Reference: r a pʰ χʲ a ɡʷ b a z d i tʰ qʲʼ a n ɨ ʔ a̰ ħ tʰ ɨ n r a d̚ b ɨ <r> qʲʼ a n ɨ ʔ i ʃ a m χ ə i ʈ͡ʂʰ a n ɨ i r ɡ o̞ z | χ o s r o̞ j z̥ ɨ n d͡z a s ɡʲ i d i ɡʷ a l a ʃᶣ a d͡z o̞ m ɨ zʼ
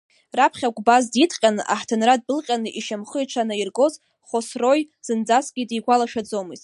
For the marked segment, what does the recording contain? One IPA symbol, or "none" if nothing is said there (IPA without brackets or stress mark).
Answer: l